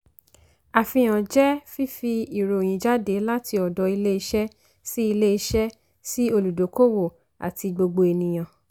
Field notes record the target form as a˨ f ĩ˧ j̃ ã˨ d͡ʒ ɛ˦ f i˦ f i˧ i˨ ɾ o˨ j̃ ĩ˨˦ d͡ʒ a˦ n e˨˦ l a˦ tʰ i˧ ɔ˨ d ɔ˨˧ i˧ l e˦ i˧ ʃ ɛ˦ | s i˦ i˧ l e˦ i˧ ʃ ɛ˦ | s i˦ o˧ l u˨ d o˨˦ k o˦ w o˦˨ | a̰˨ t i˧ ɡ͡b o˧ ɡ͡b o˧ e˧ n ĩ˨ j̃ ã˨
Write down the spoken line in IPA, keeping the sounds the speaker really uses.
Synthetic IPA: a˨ f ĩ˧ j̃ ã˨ d͡ʒ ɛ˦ f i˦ f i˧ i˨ ɾ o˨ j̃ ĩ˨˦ d͡ʒ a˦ d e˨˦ l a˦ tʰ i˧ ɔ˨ d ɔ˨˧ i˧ l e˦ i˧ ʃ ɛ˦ | s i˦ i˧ l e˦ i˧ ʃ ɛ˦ | s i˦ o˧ l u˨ d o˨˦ k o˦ w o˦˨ | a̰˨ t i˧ ɡ͡b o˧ ɡ͡b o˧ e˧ n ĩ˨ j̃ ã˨